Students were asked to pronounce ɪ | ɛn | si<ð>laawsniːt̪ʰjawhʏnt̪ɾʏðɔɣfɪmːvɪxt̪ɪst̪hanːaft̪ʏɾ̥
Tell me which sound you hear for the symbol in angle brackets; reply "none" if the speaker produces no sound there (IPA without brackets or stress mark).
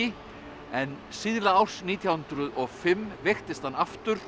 ð